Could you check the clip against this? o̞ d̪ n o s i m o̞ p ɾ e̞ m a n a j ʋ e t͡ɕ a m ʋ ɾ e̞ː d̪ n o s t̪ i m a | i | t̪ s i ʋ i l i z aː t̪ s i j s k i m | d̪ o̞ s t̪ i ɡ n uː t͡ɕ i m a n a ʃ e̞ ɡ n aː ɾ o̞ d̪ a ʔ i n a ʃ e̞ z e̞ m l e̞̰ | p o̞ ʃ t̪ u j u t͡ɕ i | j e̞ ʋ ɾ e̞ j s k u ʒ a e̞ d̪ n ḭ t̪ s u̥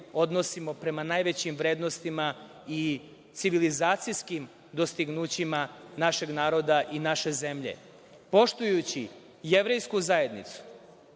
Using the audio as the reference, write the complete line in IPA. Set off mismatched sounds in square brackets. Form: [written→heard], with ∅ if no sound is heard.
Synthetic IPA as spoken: o̞ d̪ n o s i m o̞ p ɾ e̞ m a n a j ʋ e t͡ɕ [a→i] m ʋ ɾ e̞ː d̪ n o s t̪ i m a | i | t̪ s i ʋ i l i z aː t̪ s i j s k i m | d̪ o̞ s t̪ i ɡ n uː t͡ɕ i m a n a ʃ e̞ ɡ n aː ɾ o̞ d̪ a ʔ i n a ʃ e̞ z e̞ m [l→ʎ] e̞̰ | p o̞ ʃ t̪ u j u t͡ɕ i | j e̞ ʋ ɾ e̞ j s k u [ʒ→z] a e̞ d̪ n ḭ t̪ s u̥